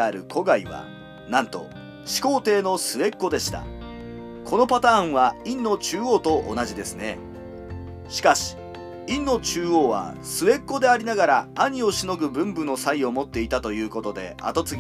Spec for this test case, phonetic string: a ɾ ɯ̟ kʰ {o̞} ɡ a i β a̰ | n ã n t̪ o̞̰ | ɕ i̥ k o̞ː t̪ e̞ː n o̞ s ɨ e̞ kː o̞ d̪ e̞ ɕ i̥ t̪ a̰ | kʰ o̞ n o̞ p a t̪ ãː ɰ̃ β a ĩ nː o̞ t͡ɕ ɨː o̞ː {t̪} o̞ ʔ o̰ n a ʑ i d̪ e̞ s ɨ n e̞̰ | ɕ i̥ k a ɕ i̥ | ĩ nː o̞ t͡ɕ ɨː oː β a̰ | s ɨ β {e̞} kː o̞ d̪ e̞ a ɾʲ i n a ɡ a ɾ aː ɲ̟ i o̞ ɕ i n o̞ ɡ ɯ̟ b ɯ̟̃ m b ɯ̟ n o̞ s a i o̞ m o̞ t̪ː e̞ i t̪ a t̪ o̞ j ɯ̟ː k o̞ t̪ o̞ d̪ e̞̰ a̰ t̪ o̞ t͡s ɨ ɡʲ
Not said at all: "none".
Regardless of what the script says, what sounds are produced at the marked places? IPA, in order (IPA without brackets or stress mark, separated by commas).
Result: o̞, t̪, e̞